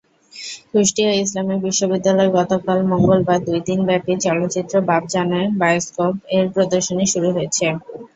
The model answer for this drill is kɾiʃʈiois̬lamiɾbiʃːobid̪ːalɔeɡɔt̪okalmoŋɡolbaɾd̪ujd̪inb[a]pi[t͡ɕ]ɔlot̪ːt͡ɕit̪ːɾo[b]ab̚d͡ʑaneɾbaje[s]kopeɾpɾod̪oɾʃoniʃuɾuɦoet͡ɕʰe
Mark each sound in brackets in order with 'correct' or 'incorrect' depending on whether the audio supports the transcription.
incorrect, correct, correct, correct

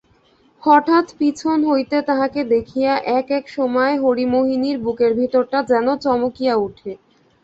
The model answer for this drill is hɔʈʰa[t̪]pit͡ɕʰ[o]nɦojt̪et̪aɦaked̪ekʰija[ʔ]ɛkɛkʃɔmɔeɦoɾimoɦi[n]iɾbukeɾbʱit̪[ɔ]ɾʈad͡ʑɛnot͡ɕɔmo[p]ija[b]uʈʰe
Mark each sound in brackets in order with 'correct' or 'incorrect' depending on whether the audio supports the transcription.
correct, correct, correct, correct, incorrect, incorrect, incorrect

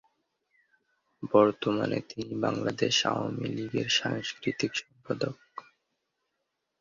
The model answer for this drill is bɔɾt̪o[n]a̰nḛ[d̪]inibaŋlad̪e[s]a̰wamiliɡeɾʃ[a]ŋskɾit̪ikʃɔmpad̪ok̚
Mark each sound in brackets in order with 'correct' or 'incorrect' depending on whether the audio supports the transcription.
incorrect, incorrect, incorrect, correct

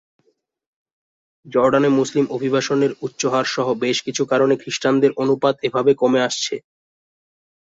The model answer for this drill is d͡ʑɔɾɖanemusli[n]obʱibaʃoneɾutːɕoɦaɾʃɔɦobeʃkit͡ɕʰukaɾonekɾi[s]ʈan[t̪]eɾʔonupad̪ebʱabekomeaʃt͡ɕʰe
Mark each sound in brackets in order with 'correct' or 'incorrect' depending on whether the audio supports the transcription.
incorrect, incorrect, incorrect

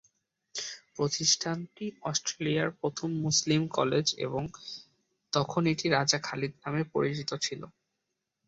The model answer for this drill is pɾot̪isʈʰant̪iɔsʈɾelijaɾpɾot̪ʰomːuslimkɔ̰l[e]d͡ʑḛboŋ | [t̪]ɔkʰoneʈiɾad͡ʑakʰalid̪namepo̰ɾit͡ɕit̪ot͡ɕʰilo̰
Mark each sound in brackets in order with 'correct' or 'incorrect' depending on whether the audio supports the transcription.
correct, correct

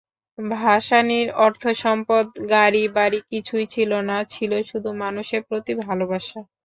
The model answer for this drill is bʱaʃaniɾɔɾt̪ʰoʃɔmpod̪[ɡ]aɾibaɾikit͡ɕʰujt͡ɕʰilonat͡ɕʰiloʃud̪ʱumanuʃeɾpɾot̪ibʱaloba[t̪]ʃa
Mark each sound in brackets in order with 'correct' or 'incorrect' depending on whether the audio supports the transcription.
correct, incorrect

